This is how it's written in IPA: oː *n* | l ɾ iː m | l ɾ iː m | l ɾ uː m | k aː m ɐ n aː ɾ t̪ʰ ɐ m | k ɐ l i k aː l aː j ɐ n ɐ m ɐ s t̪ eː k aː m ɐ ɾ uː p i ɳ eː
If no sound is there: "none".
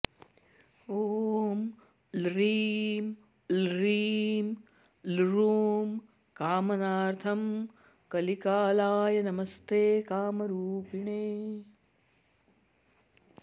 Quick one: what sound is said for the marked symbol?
m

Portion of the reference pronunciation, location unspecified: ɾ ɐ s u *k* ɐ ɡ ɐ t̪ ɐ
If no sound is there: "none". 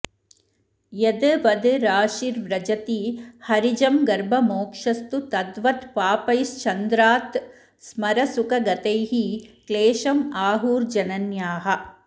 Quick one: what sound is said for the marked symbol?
k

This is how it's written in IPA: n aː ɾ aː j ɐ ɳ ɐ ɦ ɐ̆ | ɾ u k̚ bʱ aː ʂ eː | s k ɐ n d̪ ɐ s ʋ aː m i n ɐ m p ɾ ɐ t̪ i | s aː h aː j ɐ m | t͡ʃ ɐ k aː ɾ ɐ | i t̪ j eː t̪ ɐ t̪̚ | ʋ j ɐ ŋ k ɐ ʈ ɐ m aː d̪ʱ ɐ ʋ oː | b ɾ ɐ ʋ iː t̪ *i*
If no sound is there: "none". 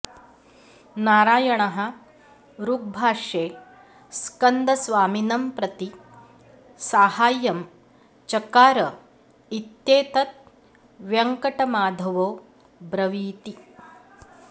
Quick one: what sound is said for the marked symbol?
i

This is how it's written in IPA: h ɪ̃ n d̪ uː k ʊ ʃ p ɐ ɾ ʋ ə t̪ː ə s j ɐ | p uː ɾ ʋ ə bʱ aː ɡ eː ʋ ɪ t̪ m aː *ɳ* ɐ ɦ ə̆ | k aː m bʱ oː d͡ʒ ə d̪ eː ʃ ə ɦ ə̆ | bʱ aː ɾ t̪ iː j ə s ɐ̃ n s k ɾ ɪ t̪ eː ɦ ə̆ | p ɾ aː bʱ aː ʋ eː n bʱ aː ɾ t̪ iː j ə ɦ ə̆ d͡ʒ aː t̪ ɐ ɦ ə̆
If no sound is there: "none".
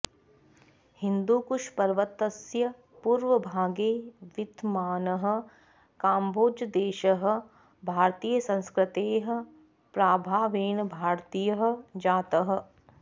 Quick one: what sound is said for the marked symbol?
n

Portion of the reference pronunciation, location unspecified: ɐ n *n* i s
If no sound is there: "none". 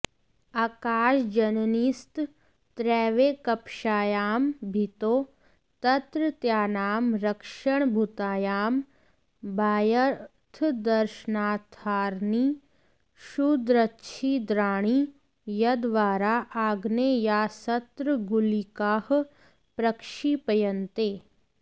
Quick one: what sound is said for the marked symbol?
n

